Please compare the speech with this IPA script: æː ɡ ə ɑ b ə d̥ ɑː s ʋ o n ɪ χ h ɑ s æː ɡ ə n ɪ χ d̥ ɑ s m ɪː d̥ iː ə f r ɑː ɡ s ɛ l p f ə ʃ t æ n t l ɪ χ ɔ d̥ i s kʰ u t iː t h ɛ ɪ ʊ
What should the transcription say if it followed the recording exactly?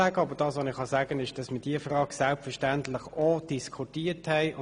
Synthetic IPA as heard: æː ɡ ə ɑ b ə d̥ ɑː s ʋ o n ɪ χ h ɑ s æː ɡ ə n ɪ ʃ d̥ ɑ s m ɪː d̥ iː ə f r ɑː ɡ s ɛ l p f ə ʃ t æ n t l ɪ χ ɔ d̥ i s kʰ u t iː t h ɛ ɪ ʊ